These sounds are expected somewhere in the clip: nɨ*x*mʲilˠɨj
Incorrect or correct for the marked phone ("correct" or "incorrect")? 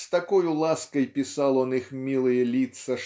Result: correct